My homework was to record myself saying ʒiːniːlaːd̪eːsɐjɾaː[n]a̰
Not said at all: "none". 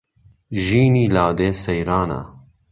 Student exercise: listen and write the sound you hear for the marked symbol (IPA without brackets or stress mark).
n